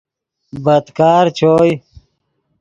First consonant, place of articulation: labial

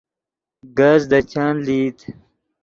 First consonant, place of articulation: velar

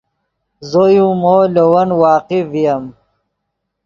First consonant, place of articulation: alveolar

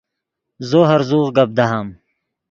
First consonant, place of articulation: alveolar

